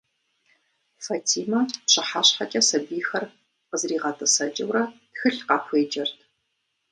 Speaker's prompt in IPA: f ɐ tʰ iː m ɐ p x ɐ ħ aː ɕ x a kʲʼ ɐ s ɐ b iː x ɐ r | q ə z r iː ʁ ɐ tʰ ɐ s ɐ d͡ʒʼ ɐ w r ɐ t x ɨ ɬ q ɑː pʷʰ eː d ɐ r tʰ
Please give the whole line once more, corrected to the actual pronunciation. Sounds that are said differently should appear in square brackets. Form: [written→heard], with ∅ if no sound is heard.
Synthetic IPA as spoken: f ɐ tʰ iː m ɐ p [x→ɕ] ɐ ħ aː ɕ [x→ħ] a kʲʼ ɐ s ɐ b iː x ɐ r | q ə z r iː ʁ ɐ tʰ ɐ s ɐ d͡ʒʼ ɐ w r ɐ t x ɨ ɬ q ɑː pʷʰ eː [d→d͡ʒ] ɐ r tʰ